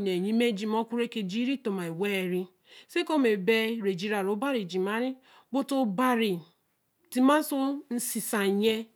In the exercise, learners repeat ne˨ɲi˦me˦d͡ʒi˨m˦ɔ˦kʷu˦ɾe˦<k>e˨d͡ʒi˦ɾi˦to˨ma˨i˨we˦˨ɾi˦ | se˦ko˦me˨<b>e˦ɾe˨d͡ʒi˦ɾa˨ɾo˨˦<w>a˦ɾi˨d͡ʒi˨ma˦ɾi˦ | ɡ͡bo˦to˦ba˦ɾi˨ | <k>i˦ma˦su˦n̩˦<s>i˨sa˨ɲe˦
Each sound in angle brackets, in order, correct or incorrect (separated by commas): correct, correct, incorrect, incorrect, correct